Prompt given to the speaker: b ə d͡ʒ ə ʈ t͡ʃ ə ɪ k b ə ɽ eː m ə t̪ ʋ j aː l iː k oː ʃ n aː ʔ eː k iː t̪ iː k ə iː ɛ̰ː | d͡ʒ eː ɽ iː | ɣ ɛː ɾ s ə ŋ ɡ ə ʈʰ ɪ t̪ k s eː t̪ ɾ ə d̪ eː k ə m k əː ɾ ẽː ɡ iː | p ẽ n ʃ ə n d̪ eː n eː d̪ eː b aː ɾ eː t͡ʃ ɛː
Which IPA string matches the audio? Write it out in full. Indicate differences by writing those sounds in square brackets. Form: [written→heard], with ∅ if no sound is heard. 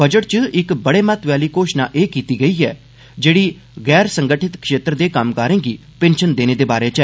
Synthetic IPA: b ə d͡ʒ ə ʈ t͡ʃ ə ɪ k b ə ɽ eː m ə t̪ ʋ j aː l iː k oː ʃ n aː ʔ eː k iː t̪ iː [k→ɡ] ə iː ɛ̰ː | d͡ʒ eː ɽ iː | ɣ ɛː ɾ s ə ŋ ɡ ə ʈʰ ɪ t̪ k [s→ʃ] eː t̪ ɾ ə d̪ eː k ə m k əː ɾ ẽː ɡ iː | p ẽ n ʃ ə n d̪ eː n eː d̪ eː b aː ɾ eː t͡ʃ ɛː